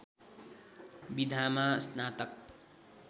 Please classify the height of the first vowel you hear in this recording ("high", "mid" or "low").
high